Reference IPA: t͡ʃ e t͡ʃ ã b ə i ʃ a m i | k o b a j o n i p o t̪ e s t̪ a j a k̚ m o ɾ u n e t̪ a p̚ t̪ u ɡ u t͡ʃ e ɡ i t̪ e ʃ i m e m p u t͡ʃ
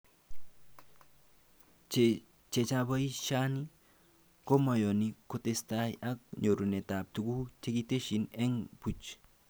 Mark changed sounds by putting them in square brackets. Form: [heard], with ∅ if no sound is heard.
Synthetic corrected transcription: t͡ʃ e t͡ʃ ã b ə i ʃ a [n] i | k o [m] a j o n i [k] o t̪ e s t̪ a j a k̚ [ɲ] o ɾ u n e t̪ a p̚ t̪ u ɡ u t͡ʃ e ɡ i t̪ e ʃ i [n] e [ŋ] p u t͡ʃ